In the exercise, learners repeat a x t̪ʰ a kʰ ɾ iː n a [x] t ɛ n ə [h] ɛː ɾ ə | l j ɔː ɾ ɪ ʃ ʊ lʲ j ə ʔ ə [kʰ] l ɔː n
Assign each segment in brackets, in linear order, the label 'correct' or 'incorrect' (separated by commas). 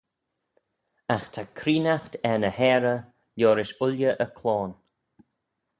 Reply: correct, correct, correct